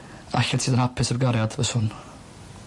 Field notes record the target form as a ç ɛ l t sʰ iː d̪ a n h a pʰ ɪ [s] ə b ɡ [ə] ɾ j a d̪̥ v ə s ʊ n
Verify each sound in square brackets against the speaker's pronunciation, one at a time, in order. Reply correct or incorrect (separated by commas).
correct, incorrect